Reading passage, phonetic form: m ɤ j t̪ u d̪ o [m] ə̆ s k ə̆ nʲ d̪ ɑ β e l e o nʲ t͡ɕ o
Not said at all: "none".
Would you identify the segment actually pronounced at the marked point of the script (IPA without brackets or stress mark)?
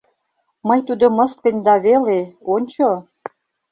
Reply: m